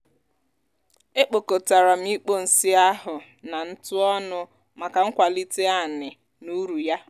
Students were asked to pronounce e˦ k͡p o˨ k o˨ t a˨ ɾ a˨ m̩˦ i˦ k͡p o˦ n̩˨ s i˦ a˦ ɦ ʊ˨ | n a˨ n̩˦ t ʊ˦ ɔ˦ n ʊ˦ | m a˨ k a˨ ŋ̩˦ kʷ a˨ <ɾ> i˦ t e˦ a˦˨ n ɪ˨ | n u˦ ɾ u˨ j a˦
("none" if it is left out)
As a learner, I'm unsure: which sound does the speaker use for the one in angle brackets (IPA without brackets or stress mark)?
l